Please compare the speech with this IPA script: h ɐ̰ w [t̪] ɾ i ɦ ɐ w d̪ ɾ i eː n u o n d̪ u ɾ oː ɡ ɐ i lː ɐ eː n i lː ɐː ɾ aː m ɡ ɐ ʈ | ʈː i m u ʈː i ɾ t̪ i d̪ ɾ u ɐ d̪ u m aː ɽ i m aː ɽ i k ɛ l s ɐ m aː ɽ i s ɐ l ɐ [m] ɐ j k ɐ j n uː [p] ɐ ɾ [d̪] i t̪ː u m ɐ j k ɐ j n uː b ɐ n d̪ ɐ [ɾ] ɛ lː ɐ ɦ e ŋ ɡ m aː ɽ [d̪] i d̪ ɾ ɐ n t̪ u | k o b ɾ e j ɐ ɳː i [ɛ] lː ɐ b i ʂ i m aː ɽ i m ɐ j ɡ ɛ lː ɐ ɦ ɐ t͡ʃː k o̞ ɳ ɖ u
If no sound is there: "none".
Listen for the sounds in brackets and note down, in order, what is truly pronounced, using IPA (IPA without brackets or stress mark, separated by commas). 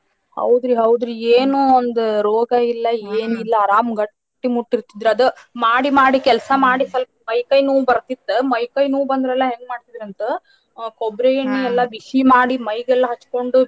d̪, m, b, t̪, ɾ, t̪, ɛ